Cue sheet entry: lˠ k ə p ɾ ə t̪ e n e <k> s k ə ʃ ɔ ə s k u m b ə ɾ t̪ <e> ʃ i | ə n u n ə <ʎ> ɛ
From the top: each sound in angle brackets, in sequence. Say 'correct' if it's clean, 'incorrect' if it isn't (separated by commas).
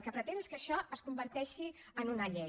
incorrect, incorrect, correct